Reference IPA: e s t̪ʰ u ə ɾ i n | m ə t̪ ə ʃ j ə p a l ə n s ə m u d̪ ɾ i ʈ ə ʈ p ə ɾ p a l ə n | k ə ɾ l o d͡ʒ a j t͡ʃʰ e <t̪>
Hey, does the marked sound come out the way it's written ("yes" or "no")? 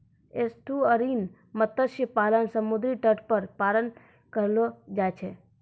no